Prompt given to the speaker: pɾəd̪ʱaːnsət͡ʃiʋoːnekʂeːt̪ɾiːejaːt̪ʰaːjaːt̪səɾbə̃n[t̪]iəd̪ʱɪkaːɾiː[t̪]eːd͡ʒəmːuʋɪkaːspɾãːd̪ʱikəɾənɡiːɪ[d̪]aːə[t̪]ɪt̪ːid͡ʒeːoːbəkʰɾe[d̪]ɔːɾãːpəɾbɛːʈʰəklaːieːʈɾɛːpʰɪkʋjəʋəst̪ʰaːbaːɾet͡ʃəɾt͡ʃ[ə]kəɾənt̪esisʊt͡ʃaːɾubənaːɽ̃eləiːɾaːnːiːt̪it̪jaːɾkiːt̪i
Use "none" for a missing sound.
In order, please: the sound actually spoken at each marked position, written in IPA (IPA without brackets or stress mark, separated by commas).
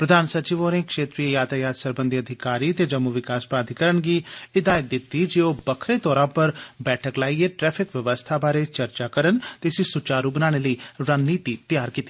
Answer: d̪, t̪, d̪, d̪, t̪, a